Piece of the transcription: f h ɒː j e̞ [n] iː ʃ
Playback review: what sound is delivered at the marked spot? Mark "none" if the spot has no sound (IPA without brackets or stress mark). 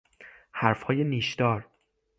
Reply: n